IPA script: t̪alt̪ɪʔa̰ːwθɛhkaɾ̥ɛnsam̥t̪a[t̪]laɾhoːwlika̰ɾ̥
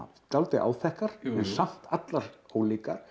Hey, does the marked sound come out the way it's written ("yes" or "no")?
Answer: yes